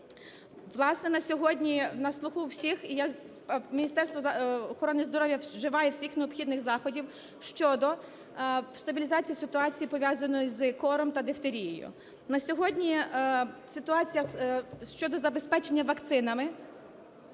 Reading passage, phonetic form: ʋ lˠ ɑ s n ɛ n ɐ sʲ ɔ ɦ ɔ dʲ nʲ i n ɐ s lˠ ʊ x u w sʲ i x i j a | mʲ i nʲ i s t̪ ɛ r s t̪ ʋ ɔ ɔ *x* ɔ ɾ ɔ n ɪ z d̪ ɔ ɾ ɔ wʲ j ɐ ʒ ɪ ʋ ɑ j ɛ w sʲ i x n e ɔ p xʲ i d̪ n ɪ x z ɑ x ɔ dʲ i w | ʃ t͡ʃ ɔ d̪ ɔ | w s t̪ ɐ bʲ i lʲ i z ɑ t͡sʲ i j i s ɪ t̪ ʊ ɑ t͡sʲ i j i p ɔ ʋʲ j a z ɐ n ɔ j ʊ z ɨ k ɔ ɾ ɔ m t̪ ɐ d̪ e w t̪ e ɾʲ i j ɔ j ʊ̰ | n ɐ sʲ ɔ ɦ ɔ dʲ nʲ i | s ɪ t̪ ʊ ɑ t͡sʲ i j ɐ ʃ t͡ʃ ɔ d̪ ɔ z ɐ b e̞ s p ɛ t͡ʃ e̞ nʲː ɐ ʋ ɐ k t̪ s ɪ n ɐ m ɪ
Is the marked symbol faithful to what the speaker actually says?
yes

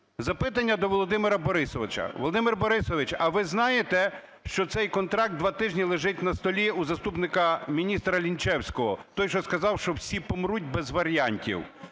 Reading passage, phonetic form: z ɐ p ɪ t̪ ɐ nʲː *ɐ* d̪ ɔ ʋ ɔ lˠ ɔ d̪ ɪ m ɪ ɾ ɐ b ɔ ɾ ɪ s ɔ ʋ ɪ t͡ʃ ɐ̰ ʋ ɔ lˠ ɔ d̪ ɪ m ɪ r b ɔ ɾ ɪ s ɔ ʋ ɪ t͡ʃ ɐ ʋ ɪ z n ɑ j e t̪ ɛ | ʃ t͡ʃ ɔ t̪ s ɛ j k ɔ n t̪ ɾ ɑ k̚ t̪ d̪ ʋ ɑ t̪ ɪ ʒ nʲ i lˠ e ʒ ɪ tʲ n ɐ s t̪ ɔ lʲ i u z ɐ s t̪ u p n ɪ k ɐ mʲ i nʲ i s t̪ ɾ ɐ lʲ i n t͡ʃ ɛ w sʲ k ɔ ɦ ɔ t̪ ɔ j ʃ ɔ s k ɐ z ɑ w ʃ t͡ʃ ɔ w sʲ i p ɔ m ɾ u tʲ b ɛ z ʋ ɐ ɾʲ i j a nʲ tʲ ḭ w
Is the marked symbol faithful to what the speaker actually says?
yes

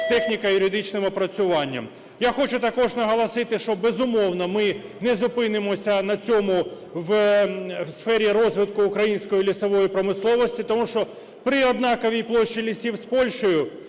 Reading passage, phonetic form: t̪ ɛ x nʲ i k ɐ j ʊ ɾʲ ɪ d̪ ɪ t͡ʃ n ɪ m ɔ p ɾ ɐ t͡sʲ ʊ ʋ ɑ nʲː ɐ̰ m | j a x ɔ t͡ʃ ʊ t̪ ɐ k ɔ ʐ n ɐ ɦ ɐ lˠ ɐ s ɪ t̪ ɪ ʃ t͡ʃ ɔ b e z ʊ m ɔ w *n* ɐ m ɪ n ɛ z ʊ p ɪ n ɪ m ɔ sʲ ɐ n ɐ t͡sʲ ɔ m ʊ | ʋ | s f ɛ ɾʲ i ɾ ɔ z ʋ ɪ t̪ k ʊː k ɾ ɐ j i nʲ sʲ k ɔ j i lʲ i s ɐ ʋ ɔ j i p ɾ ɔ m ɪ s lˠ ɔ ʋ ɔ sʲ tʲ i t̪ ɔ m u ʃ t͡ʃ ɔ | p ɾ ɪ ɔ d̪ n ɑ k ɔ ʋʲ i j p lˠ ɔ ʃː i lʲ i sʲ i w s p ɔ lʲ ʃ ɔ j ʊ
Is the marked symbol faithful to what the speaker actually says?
yes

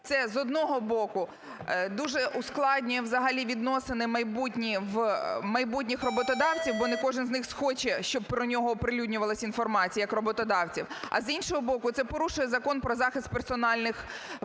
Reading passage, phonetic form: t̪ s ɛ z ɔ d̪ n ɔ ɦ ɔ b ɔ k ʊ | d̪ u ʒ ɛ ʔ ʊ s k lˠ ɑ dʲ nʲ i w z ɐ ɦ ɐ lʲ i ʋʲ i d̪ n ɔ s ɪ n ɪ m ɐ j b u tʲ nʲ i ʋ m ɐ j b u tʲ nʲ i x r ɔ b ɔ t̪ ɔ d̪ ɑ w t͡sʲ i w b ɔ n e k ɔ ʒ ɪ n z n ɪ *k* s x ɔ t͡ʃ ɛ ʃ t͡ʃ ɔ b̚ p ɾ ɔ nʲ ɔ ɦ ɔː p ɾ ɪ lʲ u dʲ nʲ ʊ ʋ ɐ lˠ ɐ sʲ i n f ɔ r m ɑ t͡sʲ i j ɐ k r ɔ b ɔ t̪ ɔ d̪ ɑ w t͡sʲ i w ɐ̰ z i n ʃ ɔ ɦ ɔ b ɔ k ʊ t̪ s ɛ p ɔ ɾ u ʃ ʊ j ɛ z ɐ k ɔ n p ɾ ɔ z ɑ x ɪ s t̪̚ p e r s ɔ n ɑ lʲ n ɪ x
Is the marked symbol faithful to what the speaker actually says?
no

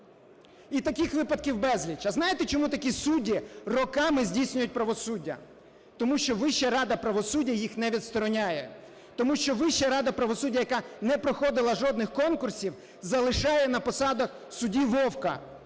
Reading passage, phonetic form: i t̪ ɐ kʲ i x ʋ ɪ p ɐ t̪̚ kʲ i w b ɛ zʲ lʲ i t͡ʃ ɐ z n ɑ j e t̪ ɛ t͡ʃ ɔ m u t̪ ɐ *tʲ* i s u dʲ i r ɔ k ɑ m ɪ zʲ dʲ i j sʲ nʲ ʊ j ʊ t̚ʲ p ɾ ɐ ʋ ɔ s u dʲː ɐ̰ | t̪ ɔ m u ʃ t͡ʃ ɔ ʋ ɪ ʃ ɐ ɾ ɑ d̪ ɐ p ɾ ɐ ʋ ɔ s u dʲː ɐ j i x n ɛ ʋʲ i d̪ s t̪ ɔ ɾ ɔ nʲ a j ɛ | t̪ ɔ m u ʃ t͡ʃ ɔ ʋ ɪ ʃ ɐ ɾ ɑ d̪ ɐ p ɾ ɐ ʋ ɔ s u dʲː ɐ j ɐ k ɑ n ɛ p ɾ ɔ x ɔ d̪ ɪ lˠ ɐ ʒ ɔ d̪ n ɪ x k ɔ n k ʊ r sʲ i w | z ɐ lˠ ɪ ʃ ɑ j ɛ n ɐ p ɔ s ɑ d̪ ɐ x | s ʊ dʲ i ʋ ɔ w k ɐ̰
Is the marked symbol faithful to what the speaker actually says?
no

